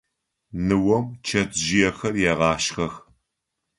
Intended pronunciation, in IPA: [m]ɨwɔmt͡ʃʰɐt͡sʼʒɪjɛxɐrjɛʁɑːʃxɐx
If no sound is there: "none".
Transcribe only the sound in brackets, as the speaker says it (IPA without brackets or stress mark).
n